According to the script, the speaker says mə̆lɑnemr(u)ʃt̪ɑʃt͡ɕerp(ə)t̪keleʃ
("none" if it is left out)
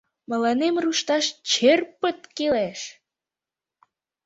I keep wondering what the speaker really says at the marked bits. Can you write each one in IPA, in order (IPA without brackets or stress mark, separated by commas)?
u, ə